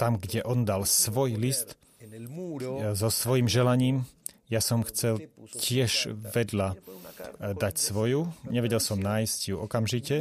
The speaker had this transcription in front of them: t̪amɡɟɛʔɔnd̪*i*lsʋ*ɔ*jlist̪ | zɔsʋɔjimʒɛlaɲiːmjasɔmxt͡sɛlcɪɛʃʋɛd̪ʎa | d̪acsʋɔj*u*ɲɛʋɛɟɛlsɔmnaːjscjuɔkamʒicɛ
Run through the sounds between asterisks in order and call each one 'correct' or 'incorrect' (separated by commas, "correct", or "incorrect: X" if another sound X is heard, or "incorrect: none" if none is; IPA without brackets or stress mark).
incorrect: a, correct, correct